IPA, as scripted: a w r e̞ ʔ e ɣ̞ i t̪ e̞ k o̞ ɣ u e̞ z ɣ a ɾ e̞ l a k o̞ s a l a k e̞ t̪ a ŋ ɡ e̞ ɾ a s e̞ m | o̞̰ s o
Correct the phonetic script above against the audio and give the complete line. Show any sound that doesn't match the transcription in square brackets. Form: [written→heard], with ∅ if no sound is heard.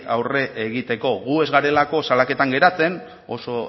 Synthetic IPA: a w r e̞ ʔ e ɣ̞ i t̪ e̞ k o̞ ɣ u e̞ z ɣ a ɾ e̞ l a k o̞ s a l a k e̞ t̪ a ŋ ɡ e̞ ɾ a [s→t͡s] e̞ [m→n] | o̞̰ s o

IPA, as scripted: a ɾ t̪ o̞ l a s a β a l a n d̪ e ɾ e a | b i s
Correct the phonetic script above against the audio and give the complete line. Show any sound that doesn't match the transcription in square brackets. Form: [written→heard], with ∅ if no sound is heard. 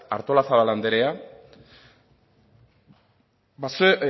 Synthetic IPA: a ɾ t̪ o̞ l a s a β a l a n d̪ e ɾ e a | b [i→a] s

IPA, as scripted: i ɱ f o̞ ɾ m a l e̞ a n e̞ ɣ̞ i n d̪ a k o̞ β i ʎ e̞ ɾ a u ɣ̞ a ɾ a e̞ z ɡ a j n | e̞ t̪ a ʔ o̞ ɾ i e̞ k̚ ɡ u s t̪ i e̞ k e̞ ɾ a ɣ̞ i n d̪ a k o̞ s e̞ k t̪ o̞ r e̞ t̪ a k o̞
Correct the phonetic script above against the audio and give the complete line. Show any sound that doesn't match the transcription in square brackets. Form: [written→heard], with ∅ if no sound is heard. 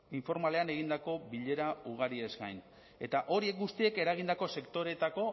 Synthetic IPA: i ɱ f o̞ ɾ m a l e̞ a n e̞ ɣ̞ i n d̪ a k o̞ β i ʎ e̞ ɾ a u ɣ̞ a ɾ [a→i] e̞ z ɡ a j n | e̞ t̪ a ʔ o̞ ɾ i e̞ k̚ ɡ u s t̪ i e̞ k e̞ ɾ a ɣ̞ i n d̪ a k o̞ s e̞ k t̪ o̞ [r→ɾ] e̞ t̪ a k o̞

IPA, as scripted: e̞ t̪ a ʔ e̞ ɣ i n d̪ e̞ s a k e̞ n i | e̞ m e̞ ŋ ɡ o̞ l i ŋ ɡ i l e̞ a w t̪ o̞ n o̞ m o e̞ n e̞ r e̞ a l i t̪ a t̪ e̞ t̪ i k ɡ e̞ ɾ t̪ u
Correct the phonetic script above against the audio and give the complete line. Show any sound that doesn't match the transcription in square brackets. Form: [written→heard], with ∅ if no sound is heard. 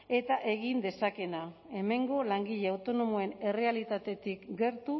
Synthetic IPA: e̞ t̪ a ʔ e̞ ɣ i n d̪ e̞ s a k e̞ n [i→a] | e̞ m e̞ ŋ ɡ o̞ l [i→a] ŋ ɡ i [l→ʎ] e̞ a w t̪ o̞ n o̞ m o e̞ n e̞ r e̞ a l i t̪ a t̪ e̞ t̪ i k ɡ e̞ ɾ t̪ u

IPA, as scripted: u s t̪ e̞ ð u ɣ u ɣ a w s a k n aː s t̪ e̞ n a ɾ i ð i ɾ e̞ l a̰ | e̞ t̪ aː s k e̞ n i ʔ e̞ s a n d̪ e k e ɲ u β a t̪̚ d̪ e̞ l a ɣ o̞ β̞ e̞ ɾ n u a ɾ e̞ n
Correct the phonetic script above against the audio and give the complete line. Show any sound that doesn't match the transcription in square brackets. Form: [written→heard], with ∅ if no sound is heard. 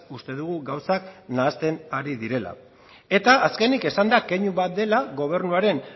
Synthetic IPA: u s t̪ e̞ ð u ɣ u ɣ a w s a k n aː s t̪ e̞ n a ɾ i ð i ɾ e̞ l a̰ | e̞ t̪ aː s k e̞ n i [ʔ→k] e̞ s a n d̪ [e→a] k e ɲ u β a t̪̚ d̪ e̞ l a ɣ o̞ β̞ e̞ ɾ n u a ɾ e̞ n

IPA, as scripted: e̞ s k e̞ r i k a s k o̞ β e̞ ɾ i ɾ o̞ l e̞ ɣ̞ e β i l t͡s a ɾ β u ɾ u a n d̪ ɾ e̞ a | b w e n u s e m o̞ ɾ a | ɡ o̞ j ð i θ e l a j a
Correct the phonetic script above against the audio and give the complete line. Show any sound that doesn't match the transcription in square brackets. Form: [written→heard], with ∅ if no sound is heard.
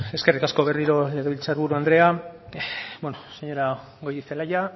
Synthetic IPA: e̞ s k e̞ r i k a s k o̞ β e̞ [ɾ→r] i ɾ o̞ l e̞ ɣ̞ e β i l t͡s a ɾ β u ɾ u a n d̪ ɾ e̞ a | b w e n [u→o] s e [m→ɲ] o̞ ɾ a | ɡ o̞ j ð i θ e l a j a

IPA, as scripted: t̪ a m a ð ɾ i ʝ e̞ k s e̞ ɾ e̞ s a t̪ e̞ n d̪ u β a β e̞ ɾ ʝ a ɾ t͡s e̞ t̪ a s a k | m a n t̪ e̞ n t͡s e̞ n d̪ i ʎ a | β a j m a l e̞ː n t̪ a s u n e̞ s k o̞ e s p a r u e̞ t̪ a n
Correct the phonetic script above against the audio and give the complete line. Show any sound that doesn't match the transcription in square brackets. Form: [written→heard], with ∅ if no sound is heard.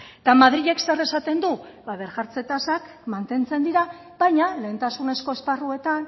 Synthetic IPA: t̪ a m a ð ɾ i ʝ e̞ k s e̞ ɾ e̞ s a t̪ e̞ n d̪ u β a β e̞ ɾ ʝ a ɾ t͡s e̞ t̪ a s a k | m a n t̪ e̞ n t͡s e̞ n d̪ i [ʎ→ɾ] a | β a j [m→ɲ] a l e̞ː n t̪ a s u n e̞ s k o̞ e s p a r u e̞ t̪ a n

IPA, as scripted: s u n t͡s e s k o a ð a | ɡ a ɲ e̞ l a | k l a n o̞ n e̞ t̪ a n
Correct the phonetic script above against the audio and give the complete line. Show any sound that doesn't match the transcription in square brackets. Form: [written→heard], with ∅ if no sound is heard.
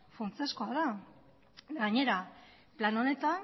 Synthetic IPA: [s→f] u n t͡s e s k o a ð a | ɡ a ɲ e̞ [l→ɾ] a | [k→p] l a n o̞ n e̞ t̪ a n

